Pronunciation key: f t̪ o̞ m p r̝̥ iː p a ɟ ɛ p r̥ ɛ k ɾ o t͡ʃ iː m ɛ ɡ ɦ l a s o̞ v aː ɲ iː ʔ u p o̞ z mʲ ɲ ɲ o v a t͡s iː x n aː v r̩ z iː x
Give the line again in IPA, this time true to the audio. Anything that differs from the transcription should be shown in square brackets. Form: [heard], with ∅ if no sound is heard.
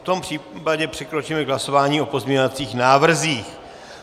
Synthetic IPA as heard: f t̪ o̞ m p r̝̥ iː p a ɟ ɛ p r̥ ɛ k ɾ o t͡ʃ iː m ɛ ɡ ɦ l a s o̞ v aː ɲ iː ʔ [o] p o̞ z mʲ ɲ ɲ o v a t͡s iː x n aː v r̩ z iː x